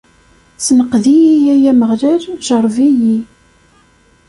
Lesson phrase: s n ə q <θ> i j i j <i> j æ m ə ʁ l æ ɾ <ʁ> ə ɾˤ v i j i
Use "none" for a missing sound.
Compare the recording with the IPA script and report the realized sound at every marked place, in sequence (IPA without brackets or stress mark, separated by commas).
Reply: ð, æ, ʒ